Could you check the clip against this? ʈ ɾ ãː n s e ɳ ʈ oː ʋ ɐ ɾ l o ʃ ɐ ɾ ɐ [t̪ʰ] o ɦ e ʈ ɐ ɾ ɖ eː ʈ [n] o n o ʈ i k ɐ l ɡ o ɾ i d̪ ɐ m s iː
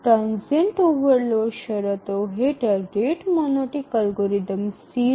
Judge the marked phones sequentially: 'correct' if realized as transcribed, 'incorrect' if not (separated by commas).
incorrect, incorrect